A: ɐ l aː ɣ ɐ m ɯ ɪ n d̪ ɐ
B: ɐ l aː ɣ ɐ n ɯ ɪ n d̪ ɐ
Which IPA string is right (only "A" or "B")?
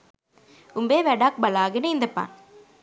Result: B